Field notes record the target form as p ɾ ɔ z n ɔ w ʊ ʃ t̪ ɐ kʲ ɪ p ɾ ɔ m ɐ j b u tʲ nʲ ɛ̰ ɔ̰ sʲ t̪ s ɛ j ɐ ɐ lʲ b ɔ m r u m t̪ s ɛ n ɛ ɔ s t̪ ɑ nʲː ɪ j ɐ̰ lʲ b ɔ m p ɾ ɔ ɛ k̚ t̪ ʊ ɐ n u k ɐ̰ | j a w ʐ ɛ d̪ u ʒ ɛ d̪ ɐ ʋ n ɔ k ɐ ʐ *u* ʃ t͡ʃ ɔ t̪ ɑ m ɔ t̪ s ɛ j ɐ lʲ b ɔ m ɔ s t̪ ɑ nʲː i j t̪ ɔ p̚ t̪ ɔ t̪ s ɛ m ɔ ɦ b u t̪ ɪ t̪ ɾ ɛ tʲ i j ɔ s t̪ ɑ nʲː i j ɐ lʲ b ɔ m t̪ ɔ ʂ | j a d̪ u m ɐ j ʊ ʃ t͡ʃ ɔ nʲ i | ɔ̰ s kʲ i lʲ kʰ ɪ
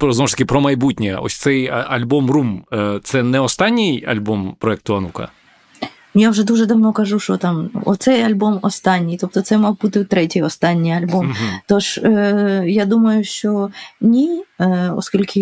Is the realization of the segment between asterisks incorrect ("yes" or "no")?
no